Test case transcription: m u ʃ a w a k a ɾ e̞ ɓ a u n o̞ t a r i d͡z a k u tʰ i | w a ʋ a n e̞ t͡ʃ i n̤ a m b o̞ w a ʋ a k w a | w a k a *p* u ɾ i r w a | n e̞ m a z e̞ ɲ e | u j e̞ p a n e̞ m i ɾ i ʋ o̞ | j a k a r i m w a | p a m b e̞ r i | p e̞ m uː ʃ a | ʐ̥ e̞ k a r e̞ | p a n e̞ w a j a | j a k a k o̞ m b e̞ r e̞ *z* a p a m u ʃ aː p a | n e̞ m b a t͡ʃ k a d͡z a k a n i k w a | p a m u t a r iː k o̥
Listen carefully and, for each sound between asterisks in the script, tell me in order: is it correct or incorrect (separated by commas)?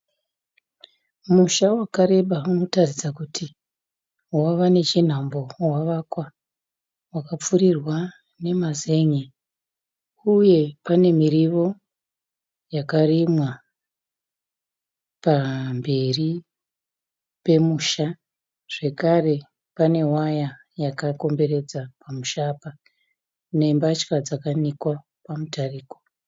incorrect, incorrect